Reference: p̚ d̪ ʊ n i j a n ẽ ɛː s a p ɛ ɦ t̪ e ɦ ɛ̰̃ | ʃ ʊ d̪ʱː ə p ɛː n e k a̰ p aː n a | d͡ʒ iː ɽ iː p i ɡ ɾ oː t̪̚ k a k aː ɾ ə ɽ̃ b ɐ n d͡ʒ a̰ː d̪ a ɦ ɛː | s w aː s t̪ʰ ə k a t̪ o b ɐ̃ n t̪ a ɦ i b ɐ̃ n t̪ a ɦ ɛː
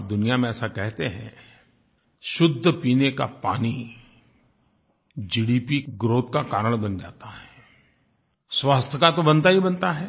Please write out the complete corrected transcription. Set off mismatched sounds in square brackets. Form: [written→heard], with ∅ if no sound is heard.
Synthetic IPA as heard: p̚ d̪ ʊ n i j a [n→m] ẽ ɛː s a [p→k] ɛ ɦ t̪ e ɦ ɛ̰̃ | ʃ ʊ d̪ʱː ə p [ɛː→iː] n e k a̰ p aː n [a→i] | d͡ʒ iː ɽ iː p i ɡ ɾ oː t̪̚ k a k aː ɾ ə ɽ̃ b ɐ n d͡ʒ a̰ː [d̪→t̪] a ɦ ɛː | s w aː s t̪ʰ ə k a t̪ o b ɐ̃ n t̪ a ɦ i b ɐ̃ n t̪ a ɦ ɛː